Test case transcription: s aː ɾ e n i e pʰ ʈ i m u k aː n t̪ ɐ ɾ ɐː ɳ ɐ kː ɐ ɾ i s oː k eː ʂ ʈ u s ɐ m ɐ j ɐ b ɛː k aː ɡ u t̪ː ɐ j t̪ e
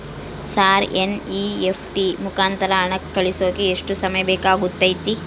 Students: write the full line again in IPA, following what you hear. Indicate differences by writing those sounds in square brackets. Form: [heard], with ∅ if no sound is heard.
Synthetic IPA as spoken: s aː ɾ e n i e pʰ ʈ i m u k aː n t̪ ɐ ɾ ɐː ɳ ɐ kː ɐ [ɭ] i s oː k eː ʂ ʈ u s ɐ m ɐ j ɐ b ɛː k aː ɡ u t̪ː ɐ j t̪ [i]

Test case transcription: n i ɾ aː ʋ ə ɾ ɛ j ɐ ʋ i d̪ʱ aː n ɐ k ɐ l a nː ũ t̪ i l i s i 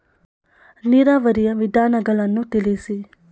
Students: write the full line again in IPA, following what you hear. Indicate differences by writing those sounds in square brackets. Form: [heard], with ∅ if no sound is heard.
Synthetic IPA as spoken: n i ɾ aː ʋ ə ɾ [i] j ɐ ʋ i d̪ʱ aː n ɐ [ɡ] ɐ l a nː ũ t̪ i l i s i

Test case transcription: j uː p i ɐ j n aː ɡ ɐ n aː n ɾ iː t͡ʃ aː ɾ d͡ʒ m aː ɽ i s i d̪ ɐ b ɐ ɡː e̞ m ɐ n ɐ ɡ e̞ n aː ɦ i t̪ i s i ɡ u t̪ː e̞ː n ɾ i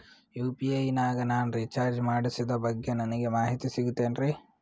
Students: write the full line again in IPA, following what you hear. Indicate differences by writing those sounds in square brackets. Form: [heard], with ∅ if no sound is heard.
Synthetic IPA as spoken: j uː p i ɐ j n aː ɡ ɐ n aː n ɾ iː t͡ʃ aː ɾ d͡ʒ m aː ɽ i s i d̪ ɐ b ɐ ɡː e̞ [n] ɐ n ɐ ɡ e̞ [m] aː ɦ i t̪ i s i ɡ u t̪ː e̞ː n ɾ i

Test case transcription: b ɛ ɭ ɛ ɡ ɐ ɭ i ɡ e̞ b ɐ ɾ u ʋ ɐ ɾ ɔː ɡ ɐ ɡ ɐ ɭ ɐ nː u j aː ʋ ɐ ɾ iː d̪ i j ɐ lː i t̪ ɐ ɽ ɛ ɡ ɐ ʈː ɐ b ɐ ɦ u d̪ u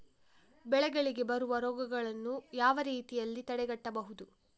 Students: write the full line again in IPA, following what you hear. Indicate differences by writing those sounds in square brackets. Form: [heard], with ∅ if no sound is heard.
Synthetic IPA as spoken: b ɛ ɭ ɛ ɡ ɐ ɭ i ɡ e̞ b ɐ ɾ u ʋ ɐ ɾ ɔː ɡ ɐ ɡ ɐ ɭ ɐ nː u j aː ʋ ɐ ɾ iː [t̪] i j ɐ lː i t̪ ɐ ɽ ɛ ɡ ɐ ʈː ɐ b ɐ ɦ u d̪ u

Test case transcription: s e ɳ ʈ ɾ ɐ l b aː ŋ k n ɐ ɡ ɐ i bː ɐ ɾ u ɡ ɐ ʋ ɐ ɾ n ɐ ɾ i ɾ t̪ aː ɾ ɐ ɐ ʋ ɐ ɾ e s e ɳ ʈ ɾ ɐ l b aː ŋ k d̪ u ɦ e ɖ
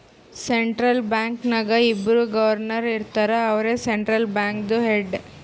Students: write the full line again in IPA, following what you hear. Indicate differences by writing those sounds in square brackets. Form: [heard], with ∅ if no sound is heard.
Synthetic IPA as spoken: s e ɳ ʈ ɾ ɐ l b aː ŋ k n ɐ ɡ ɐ i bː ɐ ɾ u ɡ ɐ ʋ ɐ ɾ n ɐ ɾ i ɾ t̪ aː ɾ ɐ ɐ ʋ ɐ ɾ e s e ɳ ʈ ɾ ɐ l b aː ŋ k d̪ u ɦ e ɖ

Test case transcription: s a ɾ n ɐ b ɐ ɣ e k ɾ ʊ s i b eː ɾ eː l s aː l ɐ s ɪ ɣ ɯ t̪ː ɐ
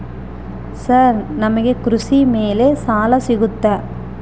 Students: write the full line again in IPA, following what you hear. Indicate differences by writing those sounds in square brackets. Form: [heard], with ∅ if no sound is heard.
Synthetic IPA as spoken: s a ɾ n ɐ [m] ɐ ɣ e k ɾ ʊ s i [m] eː [l] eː [∅] s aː l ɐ s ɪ ɣ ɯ t̪ː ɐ

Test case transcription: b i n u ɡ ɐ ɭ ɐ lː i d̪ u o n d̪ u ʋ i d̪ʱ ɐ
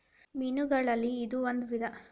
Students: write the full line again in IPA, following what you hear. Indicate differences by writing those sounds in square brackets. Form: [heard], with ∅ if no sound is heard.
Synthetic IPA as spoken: [m] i n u ɡ ɐ ɭ ɐ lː [iː] d̪ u o n d̪ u ʋ i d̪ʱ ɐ

